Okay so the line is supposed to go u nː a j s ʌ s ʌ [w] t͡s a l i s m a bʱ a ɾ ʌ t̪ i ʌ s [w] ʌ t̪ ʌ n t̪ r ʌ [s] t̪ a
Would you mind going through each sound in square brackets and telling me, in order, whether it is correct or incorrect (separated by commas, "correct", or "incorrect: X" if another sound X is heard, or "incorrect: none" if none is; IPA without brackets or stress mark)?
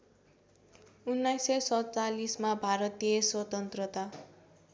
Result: incorrect: none, correct, incorrect: none